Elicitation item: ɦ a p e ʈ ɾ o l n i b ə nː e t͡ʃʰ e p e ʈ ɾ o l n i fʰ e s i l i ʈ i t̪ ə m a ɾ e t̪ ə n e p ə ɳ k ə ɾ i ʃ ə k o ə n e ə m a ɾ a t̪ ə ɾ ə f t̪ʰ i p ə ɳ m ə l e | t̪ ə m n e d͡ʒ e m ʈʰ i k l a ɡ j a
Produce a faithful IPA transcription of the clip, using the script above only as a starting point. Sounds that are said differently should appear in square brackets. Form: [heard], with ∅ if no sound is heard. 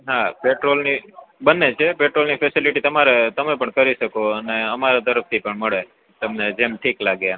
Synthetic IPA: ɦ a p e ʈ ɾ o l n i b ə nː e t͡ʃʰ e p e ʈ ɾ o l n i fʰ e s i l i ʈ i t̪ ə m a ɾ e t̪ ə [m] e p ə ɳ k ə ɾ i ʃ ə k o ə n e ə m a ɾ a t̪ ə ɾ ə f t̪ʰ i p ə ɳ m ə [ɭ] e | t̪ ə m n e d͡ʒ e m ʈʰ i k l a ɡ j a